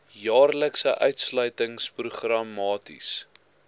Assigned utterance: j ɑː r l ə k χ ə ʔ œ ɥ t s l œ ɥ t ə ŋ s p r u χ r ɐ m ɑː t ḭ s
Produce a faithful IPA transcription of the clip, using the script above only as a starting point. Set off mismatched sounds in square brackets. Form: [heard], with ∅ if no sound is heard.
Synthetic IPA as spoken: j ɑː r l ə k [s] ə ʔ œ ɥ t s l œ ɥ t ə ŋ s p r u χ r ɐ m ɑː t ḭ s